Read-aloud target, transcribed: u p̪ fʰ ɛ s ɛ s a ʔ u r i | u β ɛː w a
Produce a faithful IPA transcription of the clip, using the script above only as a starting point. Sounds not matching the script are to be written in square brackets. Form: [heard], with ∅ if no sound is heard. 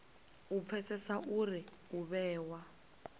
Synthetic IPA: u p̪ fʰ ɛ s ɛ s a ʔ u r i | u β ɛː w a